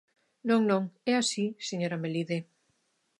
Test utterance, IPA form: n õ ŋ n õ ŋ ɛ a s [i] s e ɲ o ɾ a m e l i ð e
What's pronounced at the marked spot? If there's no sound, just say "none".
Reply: i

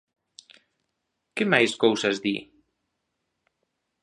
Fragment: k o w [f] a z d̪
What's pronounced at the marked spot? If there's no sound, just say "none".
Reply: s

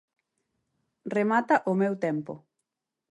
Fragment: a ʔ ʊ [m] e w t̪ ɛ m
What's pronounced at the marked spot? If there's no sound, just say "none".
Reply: m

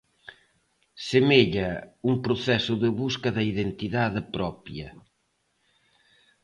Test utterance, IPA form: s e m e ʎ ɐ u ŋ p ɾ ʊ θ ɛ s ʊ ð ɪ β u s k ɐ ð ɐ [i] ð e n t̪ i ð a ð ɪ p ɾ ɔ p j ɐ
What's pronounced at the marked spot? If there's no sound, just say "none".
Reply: i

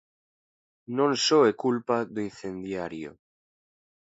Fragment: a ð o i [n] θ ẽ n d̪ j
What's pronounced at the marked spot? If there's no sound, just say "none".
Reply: n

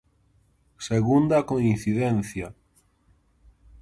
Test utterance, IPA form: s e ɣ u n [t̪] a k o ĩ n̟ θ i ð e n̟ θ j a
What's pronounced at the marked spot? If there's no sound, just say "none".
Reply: d̪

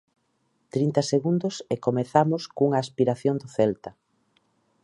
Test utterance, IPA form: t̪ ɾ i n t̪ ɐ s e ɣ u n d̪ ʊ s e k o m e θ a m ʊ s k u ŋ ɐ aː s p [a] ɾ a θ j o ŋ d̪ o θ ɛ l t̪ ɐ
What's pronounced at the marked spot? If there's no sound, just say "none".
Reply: i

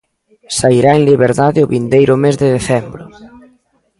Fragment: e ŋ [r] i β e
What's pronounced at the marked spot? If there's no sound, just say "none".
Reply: l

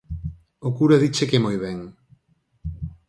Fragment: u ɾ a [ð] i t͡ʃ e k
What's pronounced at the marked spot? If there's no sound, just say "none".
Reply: ð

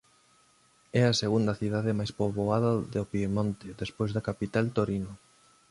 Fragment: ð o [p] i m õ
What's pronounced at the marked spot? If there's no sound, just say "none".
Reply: p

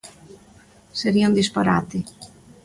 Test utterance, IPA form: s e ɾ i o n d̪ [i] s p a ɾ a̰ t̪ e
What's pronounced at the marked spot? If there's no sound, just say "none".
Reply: i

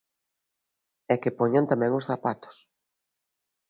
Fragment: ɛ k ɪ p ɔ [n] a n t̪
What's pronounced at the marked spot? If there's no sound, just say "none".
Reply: ɲ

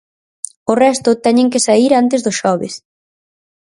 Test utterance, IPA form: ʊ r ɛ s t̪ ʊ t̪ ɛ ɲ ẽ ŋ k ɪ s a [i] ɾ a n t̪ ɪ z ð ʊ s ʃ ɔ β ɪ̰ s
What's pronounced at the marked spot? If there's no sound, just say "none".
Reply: i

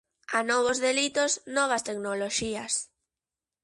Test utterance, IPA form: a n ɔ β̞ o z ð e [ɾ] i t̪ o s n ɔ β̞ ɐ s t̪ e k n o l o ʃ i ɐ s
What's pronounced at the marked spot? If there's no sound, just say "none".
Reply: l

